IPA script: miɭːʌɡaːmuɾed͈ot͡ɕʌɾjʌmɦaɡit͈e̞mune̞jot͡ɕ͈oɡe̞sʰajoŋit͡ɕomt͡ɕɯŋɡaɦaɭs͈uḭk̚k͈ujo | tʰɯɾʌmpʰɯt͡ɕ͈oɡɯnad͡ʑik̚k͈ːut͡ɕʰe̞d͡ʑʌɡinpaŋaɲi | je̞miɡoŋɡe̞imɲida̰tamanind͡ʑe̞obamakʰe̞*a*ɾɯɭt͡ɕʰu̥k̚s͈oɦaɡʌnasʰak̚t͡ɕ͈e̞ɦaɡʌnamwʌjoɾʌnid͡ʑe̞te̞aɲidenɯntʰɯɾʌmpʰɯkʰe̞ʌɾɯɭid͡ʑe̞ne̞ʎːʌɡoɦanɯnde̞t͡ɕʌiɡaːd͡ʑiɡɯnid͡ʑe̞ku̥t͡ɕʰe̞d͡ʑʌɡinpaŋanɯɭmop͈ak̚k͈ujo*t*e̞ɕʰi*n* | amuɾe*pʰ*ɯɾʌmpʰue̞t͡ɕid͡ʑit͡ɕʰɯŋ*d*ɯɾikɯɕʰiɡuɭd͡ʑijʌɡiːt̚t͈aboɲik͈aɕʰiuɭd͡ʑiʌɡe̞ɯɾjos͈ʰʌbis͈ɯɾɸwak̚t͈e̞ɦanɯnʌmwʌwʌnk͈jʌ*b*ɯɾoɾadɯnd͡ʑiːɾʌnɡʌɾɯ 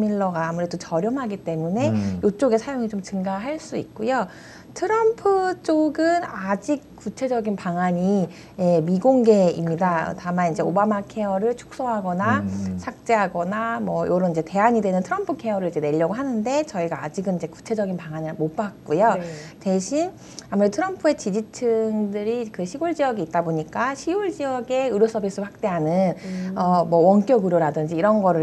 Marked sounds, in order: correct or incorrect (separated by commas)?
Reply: incorrect, correct, correct, incorrect, correct, incorrect